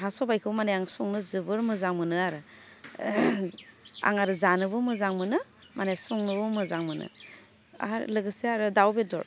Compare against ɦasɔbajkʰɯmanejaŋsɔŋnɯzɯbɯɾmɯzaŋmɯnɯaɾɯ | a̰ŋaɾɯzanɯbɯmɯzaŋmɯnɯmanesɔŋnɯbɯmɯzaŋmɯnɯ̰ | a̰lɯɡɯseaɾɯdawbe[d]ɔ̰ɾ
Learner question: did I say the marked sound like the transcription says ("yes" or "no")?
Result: yes